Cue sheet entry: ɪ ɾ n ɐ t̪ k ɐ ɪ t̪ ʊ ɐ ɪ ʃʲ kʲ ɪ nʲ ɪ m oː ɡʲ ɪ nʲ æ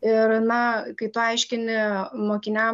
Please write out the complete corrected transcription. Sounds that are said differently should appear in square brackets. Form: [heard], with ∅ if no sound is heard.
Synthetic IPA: ɪ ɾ n ɐ [∅] k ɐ ɪ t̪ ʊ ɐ ɪ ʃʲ kʲ ɪ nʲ ɪ m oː [kʲ] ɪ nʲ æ